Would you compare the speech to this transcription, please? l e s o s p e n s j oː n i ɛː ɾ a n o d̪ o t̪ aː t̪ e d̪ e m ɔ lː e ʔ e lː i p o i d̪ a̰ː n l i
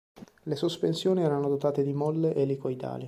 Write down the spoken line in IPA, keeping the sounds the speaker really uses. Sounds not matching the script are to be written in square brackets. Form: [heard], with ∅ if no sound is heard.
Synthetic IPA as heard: l e s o s p e n s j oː n i ɛː ɾ a n o d̪ o t̪ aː t̪ e d̪ [i] m ɔ lː e ʔ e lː i [k] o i d̪ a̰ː [∅] l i